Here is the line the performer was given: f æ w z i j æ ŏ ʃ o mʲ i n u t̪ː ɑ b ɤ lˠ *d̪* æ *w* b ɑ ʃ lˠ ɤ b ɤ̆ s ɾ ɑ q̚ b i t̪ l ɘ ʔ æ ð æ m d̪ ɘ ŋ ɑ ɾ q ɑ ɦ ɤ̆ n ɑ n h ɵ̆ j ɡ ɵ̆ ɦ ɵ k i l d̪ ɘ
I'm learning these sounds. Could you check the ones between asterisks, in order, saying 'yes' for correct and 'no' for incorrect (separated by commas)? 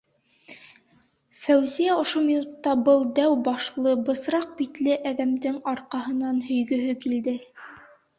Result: yes, yes